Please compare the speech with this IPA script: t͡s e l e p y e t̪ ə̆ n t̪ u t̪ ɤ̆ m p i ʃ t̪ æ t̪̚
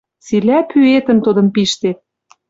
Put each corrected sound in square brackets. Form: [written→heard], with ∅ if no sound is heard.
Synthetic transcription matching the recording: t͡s [e→i] l [e→æ] p y e t̪ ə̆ n t̪ u [t̪→d̪] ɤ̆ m p i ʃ t̪ [æ→e] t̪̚